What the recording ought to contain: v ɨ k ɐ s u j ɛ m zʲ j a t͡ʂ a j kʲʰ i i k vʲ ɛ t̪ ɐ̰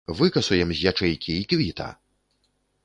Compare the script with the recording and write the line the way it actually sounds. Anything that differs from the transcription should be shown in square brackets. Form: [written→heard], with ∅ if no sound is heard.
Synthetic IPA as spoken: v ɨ k ɐ s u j ɛ m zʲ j a t͡ʂ [a→ɛ] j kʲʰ i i k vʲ [ɛ→i] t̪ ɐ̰